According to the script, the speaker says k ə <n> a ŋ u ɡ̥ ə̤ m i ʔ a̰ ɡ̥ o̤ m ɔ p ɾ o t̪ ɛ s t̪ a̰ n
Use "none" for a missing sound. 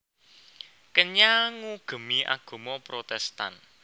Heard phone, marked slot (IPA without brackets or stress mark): ɲ